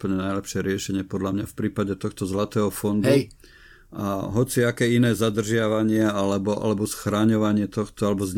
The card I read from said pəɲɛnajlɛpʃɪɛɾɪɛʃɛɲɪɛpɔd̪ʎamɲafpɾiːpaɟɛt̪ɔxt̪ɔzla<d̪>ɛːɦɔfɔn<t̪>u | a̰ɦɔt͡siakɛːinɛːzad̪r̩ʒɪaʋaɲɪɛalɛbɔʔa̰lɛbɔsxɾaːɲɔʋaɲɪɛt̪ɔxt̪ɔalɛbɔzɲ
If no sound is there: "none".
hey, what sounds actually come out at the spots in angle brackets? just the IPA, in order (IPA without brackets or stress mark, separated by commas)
t̪, d̪